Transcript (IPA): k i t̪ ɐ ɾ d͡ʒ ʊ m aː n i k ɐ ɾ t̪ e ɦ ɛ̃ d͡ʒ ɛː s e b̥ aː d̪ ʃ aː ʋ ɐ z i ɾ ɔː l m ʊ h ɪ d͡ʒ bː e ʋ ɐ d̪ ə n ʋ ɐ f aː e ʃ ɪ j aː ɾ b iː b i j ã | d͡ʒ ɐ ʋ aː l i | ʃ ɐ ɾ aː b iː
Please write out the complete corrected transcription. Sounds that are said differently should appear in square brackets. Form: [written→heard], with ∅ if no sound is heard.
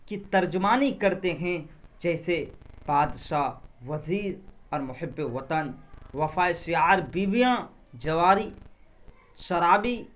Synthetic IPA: k i t̪ ɐ ɾ d͡ʒ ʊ m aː n i k ɐ ɾ t̪ e ɦ ɛ̃ d͡ʒ ɛː s e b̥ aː d̪ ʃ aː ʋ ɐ z [i→iː] ɾ ɔː [l→ɾ] m ʊ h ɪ [d͡ʒ→∅] bː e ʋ ɐ [d̪→t̪] ə n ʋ ɐ f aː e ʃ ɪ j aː ɾ b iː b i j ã | d͡ʒ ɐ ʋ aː [l→ɾ] i | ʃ ɐ ɾ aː b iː